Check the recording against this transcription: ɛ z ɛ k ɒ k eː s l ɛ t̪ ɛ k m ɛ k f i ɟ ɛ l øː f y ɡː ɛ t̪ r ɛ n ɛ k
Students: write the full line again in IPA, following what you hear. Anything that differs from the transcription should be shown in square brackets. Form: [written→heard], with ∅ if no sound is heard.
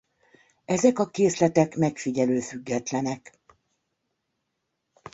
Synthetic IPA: ɛ z ɛ k ɒ k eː s l ɛ t̪ ɛ k m ɛ k f i ɟ ɛ l øː f y ɡː ɛ t̪ [r→l] ɛ n ɛ k

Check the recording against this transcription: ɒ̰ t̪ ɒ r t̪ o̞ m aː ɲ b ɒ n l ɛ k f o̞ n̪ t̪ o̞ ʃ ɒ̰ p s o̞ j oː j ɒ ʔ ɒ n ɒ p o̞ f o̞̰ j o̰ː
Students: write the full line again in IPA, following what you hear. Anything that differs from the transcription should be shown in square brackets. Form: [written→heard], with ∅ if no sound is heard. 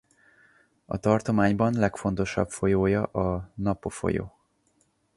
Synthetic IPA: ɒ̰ t̪ ɒ r t̪ o̞ m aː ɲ b ɒ n l ɛ k f o̞ n̪ t̪ o̞ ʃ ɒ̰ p [s→f] o̞ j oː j ɒ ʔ ɒ n ɒ p o̞ f o̞̰ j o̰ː

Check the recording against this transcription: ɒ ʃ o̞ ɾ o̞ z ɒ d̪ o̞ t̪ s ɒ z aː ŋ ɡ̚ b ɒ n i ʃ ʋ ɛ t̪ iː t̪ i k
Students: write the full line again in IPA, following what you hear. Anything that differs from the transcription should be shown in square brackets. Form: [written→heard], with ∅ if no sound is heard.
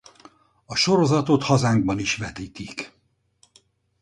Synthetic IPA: ɒ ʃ o̞ ɾ o̞ z ɒ [d̪→t̪] o̞ t̪ [s→h] ɒ z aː ŋ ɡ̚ b ɒ n i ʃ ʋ ɛ t̪ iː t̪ i k

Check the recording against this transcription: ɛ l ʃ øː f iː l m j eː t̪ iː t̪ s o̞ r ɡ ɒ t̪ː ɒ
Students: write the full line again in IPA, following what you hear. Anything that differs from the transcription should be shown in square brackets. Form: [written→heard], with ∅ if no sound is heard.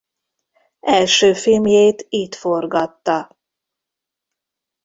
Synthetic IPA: ɛ l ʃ øː f [iː→i] l m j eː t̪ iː t̪ [s→f] o̞ r ɡ ɒ t̪ː ɒ

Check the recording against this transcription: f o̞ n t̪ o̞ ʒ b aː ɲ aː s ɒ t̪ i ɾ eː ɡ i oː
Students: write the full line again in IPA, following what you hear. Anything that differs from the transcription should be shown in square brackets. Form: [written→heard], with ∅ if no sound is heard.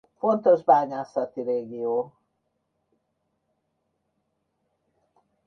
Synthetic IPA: f o̞ n t̪ o̞ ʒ b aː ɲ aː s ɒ t̪ i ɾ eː ɡ i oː

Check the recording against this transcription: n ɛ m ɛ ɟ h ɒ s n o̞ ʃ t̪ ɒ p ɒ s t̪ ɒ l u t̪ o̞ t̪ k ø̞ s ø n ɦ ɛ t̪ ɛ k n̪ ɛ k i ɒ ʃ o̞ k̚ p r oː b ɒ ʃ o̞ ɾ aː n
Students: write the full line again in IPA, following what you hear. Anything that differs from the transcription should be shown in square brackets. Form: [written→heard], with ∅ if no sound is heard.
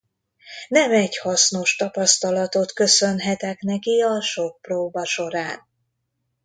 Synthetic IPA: n ɛ m ɛ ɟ h ɒ s n o̞ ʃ t̪ ɒ p ɒ s t̪ ɒ l [u→ɒ] t̪ o̞ t̪ k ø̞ s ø n ɦ ɛ t̪ ɛ k n̪ ɛ k i ɒ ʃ o̞ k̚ p r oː b ɒ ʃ o̞ ɾ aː n

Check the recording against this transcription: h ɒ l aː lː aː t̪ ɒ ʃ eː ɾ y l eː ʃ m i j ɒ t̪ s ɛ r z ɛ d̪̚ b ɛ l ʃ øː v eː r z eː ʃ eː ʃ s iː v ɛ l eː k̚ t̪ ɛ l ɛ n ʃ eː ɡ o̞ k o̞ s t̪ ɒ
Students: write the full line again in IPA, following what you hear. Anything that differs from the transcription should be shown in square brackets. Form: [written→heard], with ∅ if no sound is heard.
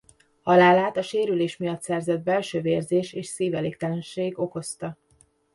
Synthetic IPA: h ɒ l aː [lː→l] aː t̪ ɒ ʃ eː ɾ y l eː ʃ m i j ɒ t̪ s ɛ r z ɛ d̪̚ b ɛ l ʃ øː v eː r z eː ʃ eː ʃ s iː v ɛ l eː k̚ t̪ ɛ l ɛ n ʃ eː ɡ o̞ k o̞ s t̪ ɒ

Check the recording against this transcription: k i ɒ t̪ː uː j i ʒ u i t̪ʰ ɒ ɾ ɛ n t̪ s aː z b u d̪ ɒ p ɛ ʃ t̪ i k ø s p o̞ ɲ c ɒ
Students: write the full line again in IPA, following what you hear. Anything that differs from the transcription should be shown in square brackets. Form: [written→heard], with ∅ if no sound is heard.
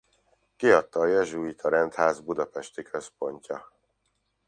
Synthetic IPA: k i ɒ t̪ː [uː→ɒː] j [i→ɛ] ʒ u i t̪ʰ ɒ ɾ ɛ n t̪ [s→h] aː z b u d̪ ɒ p ɛ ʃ t̪ i k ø s p o̞ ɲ c ɒ

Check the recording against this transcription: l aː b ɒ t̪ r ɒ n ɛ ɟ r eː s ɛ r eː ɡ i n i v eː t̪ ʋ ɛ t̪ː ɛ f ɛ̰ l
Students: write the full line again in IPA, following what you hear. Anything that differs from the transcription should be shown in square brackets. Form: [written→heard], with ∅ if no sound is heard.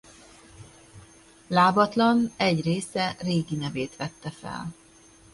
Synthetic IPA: l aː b ɒ t̪ [r→l] ɒ n ɛ ɟ r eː s ɛ r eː ɡ i n [i→ɛ] v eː t̪ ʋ ɛ t̪ː ɛ f ɛ̰ l

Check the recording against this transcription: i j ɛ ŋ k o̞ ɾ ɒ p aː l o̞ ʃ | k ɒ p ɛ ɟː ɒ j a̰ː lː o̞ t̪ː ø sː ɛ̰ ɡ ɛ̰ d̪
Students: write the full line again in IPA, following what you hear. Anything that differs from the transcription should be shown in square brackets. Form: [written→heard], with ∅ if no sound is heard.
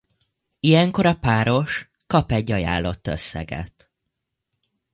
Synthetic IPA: i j ɛ ŋ k o̞ ɾ ɒ p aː [l→ɾ] o̞ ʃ | k ɒ p ɛ ɟː ɒ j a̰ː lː o̞ t̪ː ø sː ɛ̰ ɡ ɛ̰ [d̪→t̪]

